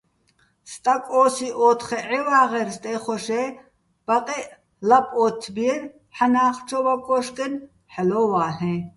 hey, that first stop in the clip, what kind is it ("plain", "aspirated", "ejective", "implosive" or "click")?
ejective